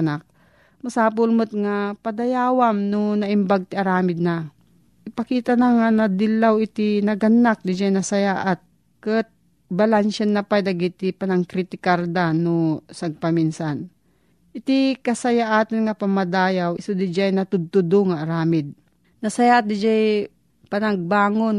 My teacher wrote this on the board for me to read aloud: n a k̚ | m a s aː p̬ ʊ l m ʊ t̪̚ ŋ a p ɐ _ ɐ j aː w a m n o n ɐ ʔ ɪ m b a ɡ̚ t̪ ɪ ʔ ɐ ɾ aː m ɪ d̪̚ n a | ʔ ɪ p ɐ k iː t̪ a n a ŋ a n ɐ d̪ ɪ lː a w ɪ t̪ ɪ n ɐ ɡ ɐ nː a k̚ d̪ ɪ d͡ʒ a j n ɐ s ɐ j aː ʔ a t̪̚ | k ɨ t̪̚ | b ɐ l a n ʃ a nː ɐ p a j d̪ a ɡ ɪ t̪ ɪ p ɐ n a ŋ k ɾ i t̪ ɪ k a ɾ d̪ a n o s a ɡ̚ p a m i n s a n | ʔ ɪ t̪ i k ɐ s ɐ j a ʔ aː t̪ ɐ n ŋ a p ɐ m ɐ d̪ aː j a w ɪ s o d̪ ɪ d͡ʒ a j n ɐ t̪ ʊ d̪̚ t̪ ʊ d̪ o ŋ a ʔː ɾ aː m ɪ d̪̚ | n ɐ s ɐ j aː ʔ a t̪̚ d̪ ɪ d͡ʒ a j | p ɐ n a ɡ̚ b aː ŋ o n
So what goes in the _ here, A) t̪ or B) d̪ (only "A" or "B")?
B